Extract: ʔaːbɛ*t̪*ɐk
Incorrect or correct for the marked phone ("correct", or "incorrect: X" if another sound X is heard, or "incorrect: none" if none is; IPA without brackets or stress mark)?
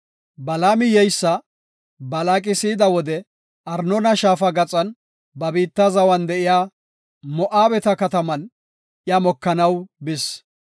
correct